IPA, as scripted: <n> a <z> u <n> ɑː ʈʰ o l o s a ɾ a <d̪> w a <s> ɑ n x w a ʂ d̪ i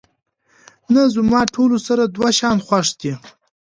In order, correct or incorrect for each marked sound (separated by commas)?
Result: correct, correct, incorrect, correct, incorrect